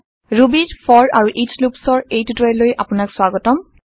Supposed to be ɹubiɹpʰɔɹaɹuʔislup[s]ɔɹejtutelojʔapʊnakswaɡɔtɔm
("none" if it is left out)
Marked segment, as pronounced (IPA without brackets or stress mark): s